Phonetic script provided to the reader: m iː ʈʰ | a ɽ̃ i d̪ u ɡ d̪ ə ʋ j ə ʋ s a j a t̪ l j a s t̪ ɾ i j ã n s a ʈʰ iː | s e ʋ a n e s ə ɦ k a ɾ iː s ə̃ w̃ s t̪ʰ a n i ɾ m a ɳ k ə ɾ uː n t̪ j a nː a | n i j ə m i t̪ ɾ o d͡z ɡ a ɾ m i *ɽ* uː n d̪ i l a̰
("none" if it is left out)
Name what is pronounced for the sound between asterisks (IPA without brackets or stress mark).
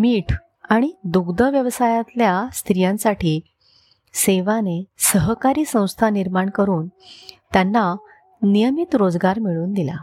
ɭ